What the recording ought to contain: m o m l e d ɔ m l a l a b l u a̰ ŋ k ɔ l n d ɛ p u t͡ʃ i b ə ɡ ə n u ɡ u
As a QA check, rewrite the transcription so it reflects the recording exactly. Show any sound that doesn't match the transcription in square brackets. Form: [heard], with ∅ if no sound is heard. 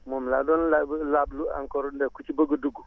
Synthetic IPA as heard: m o m l [a] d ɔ [n] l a l a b l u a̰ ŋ k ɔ [ɾ] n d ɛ [k] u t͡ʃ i b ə ɡ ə [d] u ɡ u